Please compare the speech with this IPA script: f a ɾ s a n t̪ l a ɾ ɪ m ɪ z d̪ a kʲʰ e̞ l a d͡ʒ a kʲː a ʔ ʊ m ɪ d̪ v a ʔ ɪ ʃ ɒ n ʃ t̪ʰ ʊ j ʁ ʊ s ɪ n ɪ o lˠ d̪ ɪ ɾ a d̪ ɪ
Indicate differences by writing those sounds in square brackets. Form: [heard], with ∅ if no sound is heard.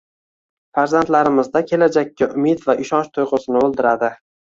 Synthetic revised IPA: f a ɾ [z] a n t̪ l a ɾ ɪ m ɪ z d̪ a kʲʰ e̞ l a d͡ʒ a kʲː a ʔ ʊ m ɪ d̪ v a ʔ ɪ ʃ ɒ n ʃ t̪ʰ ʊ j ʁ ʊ s ɪ n ɪ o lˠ d̪ ɪ ɾ a d̪ ɪ